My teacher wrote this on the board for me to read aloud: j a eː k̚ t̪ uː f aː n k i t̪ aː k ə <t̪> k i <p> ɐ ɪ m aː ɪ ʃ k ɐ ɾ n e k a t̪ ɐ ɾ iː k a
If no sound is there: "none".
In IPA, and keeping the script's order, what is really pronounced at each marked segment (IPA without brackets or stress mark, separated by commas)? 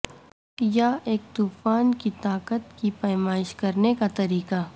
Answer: t̪, p